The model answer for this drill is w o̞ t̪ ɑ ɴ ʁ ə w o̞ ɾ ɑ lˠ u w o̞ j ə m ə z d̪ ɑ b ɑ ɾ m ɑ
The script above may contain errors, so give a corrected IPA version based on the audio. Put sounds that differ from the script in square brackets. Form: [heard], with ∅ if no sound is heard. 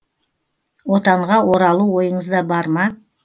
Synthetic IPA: w o̞ t̪ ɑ ɴ ʁ [ɑ] w o̞ ɾ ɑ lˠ u w o̞ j ə [ɴ] ə z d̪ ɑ b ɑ ɾ m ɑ